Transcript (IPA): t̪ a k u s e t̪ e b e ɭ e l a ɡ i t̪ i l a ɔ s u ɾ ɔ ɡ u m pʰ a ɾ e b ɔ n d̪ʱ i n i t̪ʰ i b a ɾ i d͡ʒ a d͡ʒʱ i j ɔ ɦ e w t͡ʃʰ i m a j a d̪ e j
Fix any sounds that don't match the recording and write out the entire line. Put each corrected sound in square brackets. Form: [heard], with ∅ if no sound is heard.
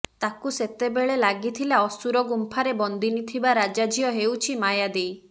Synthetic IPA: t̪ a k u s e t̪ e b e ɭ e l a ɡ i [t̪ʰ] i l a ɔ s u ɾ ɔ ɡ u m pʰ a ɾ e b ɔ n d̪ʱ i n i t̪ʰ i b a ɾ [a] d͡ʒ a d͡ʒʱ i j ɔ ɦ e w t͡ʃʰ i m a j a d̪ e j